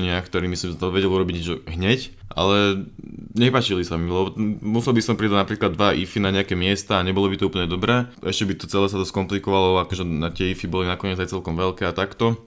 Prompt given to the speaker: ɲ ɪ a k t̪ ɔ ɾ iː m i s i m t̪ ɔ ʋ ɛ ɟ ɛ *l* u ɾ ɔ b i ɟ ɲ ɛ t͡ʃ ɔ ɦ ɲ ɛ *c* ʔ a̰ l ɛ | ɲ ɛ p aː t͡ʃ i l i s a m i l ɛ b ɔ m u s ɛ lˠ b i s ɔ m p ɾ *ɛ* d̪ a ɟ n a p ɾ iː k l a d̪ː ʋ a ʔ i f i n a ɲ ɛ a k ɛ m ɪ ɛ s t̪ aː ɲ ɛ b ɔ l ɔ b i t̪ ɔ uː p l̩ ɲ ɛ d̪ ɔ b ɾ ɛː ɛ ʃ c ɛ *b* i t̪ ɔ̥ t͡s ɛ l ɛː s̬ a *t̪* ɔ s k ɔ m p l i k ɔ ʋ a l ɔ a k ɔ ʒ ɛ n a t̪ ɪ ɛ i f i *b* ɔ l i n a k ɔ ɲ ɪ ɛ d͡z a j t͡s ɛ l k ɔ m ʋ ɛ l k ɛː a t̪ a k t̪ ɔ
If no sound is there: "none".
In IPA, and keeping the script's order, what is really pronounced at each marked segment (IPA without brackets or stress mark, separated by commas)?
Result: l, c, i, b, t̪, b